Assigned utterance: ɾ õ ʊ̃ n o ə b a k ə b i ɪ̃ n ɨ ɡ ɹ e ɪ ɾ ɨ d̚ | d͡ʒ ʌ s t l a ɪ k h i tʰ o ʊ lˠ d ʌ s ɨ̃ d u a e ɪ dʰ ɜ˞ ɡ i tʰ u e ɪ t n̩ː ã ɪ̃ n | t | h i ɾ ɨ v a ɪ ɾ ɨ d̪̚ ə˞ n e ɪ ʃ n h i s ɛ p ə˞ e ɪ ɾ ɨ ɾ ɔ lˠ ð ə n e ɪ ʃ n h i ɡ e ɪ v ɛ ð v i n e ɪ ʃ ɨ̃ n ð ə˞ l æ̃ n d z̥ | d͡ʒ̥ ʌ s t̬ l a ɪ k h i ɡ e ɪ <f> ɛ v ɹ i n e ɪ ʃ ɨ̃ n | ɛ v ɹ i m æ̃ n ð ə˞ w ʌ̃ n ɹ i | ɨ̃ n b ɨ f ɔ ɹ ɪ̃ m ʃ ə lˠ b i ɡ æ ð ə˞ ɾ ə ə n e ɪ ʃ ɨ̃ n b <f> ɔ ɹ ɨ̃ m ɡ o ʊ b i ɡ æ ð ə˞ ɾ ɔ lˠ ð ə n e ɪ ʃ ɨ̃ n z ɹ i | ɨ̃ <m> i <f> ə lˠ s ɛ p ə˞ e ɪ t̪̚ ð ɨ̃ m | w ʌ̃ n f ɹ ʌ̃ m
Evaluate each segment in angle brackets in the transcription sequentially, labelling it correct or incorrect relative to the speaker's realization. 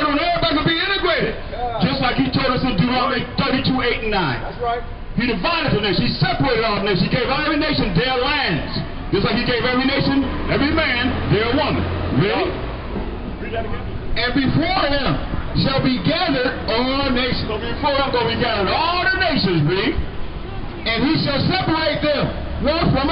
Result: incorrect: v, correct, incorrect: n, incorrect: ʃ

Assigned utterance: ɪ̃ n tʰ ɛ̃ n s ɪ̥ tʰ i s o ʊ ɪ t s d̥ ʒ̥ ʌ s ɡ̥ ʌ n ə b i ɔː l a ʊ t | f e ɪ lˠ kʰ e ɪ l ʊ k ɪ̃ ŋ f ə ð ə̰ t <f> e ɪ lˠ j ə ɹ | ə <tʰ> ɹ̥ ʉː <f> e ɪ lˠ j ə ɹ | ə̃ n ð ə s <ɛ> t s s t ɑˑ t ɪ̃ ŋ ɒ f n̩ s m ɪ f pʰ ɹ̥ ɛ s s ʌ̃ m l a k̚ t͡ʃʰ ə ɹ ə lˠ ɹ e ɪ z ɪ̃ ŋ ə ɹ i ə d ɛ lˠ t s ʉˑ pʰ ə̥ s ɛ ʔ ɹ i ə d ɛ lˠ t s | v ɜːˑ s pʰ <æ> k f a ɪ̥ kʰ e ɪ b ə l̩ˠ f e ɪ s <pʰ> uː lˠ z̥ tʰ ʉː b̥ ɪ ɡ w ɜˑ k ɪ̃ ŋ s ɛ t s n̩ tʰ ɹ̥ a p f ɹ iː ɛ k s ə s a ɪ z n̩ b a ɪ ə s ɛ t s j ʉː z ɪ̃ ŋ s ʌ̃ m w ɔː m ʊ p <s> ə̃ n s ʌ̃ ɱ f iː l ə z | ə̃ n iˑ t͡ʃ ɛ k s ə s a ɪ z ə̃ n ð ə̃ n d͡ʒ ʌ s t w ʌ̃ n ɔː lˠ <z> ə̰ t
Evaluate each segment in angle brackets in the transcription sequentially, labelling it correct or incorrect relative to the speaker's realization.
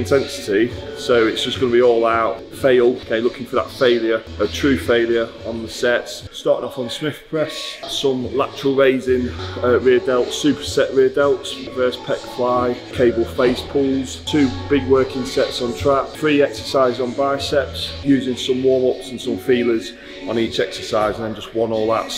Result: correct, correct, correct, correct, incorrect: ɛ, correct, correct, incorrect: ð

